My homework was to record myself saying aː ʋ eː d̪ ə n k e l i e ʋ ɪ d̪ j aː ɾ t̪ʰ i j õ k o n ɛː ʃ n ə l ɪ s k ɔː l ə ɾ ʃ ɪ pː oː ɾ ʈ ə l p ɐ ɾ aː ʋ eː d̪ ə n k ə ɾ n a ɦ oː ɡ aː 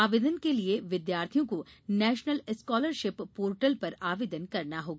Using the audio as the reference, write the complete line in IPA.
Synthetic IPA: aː ʋ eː d̪ ə n k e l i e ʋ ɪ d̪ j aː ɾ t̪ʰ i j õ k o n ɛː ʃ n ə l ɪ s k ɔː l ə ɾ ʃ ɪ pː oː ɾ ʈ ə l p ɐ ɾ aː ʋ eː d̪ ə n k ɐ ɾ n a ɦ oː ɡ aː